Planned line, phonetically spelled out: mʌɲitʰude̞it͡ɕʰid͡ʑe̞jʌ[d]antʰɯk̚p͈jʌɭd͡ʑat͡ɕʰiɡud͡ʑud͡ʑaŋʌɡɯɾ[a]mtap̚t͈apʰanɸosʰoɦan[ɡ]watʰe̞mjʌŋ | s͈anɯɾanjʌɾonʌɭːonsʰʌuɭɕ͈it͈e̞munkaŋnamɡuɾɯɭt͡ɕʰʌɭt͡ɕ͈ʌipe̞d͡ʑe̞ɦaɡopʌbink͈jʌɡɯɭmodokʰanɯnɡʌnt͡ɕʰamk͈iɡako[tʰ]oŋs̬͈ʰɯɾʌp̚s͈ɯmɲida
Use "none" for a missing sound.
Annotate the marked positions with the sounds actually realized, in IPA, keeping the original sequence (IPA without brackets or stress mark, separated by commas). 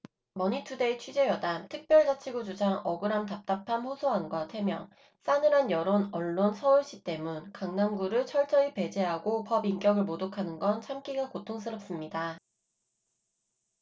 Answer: d, a, ɡ, tʰ